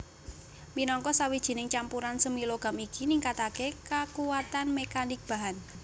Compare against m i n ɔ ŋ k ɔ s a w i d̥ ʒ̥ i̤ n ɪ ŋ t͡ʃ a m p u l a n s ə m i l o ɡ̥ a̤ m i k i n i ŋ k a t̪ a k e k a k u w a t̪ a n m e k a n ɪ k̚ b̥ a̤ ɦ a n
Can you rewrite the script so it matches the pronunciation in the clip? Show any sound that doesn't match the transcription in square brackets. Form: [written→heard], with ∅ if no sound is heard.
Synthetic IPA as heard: m i n ɔ ŋ k ɔ s a w i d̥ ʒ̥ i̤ n ɪ ŋ t͡ʃ a m p u [l→ɾ] a n s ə m i l o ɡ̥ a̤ m i k i n i ŋ k a t̪ a k e k a k u w a t̪ a n m e k a n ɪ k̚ b̥ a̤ ɦ a n

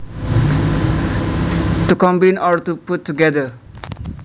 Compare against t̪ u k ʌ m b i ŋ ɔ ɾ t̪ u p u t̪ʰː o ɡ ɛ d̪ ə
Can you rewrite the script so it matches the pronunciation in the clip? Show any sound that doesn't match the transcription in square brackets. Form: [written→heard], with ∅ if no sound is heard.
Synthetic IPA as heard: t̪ u k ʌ m b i [ŋ→n] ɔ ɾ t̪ u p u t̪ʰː [o→u] ɡ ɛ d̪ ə

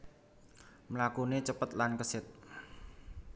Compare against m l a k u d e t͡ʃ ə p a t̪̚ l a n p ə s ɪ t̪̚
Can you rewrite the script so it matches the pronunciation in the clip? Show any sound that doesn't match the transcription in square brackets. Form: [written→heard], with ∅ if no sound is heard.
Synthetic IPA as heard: m l a k u [d→n] e t͡ʃ ə p [a→ə] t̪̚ l a n [p→k] ə s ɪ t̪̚

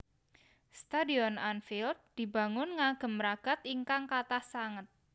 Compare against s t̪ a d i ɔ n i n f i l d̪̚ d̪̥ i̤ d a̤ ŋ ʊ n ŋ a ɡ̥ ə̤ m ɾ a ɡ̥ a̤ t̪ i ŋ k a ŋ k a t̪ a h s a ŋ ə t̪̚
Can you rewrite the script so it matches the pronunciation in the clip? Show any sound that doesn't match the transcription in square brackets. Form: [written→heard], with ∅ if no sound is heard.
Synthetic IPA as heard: s t̪ a d i ɔ n [i→a] n f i l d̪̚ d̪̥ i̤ [d→b] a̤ ŋ ʊ n ŋ a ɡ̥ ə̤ m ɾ a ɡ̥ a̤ t̪ i ŋ k a ŋ k a t̪ a h s a ŋ ə t̪̚

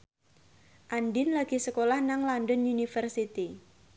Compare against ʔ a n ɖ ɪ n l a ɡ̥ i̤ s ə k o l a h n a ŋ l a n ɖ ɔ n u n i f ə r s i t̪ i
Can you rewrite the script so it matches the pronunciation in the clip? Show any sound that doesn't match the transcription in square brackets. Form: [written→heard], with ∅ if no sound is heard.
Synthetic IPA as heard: ʔ a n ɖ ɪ n l a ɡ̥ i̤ s ə k o l a h n a ŋ l a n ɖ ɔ n u n i f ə r s i t̪ i

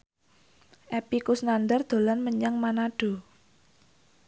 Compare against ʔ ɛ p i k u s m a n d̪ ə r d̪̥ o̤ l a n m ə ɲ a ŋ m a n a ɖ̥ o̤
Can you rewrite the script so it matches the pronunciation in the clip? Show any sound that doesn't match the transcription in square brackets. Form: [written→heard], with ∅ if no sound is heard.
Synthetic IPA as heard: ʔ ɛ p i k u s [m→n] a n d̪ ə r d̪̥ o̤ l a n m ə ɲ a ŋ m a n a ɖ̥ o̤

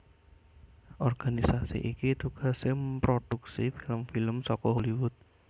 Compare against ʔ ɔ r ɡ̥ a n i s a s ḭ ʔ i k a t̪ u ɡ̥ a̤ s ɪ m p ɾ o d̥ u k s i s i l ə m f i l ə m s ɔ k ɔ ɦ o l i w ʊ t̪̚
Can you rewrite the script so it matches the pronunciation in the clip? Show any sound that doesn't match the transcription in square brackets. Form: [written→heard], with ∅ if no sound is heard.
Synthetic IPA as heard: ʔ ɔ r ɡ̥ a n i s a s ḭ ʔ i k [a→i] t̪ u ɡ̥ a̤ s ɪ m p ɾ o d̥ u k s i [s→f] i l ə m f i l ə m s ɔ k ɔ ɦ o l i w ʊ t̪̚

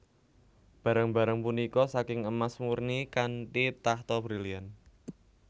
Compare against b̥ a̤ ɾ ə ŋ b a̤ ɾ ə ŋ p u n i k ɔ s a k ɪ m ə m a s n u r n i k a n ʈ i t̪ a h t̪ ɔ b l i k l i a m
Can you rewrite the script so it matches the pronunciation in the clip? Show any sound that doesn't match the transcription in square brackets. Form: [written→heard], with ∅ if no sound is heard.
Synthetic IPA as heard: b̥ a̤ ɾ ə ŋ b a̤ ɾ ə ŋ p u n i k ɔ s a k ɪ [m→ŋ] ə m a s [n→m] u r n i k a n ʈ i t̪ a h t̪ ɔ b [l→ɾ] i [k→∅] l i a [m→n]

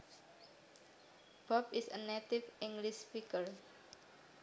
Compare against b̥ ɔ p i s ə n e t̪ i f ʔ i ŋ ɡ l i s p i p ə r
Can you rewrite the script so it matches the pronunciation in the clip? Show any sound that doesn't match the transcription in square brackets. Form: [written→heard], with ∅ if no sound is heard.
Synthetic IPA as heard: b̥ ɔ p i s ə n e t̪ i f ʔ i ŋ ɡ l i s p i [p→k] ə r

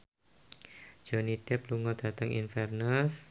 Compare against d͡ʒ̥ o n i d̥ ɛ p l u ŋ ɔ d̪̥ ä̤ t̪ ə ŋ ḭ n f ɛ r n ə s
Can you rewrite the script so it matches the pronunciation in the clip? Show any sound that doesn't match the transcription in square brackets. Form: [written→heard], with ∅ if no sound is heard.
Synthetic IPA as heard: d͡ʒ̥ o n i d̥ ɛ p l u ŋ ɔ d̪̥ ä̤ t̪ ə ŋ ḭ n f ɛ r n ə s

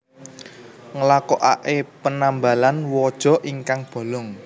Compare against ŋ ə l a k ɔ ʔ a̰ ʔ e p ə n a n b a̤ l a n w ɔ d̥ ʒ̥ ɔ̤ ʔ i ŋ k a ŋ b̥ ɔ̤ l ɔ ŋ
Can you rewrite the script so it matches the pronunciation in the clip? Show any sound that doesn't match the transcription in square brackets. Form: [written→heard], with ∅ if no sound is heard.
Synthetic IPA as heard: ŋ ə l a k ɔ ʔ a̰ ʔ e p ə n a [n→m] b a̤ l a n w ɔ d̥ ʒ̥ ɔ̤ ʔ i ŋ k a ŋ b̥ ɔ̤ l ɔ ŋ

